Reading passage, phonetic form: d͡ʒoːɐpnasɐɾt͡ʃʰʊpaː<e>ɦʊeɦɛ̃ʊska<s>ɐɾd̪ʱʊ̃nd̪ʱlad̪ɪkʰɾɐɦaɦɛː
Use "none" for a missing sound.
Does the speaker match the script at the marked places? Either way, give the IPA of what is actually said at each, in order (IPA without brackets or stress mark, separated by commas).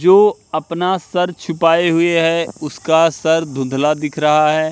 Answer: e, s